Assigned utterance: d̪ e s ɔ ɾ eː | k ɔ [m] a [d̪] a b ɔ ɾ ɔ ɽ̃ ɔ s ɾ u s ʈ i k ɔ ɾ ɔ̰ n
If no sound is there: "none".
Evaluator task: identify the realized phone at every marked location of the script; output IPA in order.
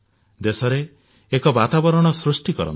b, t̪

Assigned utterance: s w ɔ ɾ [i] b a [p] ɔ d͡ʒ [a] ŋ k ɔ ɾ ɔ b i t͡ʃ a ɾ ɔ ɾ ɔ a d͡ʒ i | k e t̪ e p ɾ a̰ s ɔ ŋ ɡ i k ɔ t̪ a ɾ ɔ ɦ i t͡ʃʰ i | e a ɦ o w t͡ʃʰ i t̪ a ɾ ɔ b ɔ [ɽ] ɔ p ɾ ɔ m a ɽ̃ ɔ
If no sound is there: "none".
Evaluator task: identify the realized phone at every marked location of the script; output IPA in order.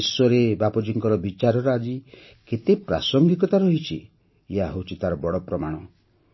e, p, i, ɽ

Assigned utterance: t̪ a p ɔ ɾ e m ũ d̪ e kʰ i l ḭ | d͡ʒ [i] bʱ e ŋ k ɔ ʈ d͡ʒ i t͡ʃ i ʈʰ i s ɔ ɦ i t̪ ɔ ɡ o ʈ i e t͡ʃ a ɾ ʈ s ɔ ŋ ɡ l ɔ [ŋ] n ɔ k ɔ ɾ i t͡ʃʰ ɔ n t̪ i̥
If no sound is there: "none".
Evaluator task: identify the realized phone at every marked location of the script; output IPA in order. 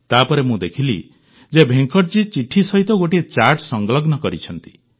e, ɡ

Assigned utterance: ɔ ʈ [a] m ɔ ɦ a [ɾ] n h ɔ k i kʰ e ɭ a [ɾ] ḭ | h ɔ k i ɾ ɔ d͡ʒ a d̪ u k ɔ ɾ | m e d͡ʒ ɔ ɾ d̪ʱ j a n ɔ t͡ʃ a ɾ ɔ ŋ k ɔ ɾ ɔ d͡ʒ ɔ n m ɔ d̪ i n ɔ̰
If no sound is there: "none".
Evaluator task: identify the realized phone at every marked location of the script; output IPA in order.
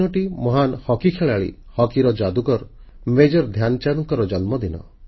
i, none, ɭ

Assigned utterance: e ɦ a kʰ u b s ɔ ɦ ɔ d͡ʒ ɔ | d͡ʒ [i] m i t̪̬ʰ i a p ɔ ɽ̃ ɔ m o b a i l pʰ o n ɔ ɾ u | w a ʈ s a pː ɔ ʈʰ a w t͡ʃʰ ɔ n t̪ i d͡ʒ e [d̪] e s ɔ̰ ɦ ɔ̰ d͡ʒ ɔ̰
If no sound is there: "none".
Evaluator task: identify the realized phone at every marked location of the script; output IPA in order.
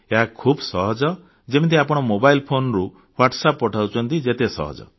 e, t̪

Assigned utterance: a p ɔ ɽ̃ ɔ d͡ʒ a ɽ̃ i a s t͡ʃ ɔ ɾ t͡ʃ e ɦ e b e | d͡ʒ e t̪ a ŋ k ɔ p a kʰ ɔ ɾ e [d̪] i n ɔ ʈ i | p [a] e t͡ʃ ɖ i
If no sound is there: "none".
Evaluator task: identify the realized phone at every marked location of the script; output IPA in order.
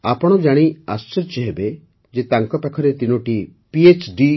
t̪, i

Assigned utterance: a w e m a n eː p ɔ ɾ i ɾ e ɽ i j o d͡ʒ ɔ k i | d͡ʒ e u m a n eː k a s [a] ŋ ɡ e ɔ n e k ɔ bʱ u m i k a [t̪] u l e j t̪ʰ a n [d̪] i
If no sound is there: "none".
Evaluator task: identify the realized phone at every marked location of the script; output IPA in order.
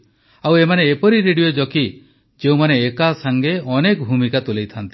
a, t̪, t̪

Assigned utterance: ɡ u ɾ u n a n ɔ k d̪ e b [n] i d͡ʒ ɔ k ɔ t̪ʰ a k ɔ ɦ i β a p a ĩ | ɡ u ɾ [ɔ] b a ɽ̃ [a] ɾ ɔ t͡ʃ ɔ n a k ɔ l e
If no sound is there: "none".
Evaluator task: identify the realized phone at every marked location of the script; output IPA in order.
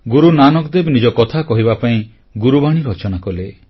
n, u, i

